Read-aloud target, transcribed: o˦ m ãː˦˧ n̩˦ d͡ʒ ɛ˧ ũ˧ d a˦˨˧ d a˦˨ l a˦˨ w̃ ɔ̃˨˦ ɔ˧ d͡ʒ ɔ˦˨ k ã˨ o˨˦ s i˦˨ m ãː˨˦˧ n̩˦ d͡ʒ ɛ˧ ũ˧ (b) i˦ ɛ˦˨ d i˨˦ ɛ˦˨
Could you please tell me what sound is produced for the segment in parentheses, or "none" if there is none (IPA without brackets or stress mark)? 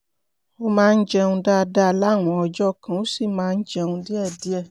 d